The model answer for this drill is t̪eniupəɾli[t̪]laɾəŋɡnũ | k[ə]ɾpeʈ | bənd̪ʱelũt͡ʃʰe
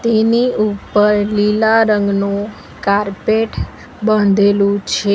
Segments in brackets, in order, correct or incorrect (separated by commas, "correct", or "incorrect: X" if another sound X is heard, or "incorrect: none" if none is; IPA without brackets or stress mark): incorrect: none, incorrect: a